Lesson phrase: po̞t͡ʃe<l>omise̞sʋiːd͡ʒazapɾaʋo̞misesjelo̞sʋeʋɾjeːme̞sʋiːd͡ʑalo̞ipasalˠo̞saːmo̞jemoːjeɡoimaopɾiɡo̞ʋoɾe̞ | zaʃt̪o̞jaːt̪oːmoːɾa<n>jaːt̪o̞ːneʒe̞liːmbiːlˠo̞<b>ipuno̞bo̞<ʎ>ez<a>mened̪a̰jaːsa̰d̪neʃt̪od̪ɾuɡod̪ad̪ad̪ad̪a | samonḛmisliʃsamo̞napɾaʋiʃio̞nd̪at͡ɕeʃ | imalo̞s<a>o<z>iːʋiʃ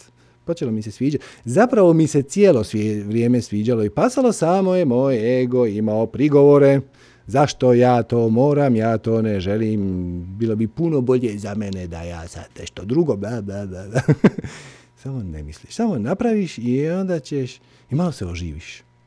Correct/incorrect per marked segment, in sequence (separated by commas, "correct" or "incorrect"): correct, incorrect, correct, correct, correct, incorrect, incorrect